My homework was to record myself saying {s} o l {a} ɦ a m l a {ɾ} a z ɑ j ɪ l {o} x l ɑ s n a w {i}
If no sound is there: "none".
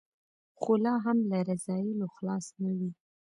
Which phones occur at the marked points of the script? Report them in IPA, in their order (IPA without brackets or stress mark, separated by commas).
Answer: x, ɑ, ɾ, o, i